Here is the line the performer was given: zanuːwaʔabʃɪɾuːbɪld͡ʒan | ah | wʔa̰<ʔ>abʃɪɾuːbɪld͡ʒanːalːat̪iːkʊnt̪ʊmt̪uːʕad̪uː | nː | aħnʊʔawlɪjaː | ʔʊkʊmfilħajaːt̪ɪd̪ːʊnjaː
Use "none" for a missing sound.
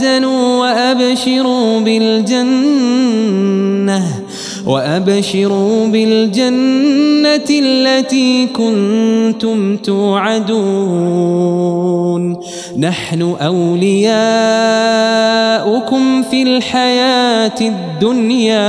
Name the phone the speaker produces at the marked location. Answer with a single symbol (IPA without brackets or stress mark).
ʔ